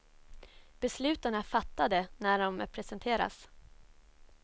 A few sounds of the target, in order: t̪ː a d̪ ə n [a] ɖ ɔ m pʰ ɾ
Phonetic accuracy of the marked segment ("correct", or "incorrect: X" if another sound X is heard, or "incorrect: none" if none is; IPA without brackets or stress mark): incorrect: æ